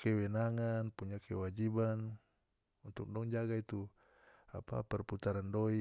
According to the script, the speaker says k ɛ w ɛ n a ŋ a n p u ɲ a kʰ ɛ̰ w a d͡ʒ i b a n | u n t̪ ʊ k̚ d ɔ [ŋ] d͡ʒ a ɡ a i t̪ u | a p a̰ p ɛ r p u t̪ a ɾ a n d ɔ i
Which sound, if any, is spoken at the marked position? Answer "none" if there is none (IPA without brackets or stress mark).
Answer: ŋ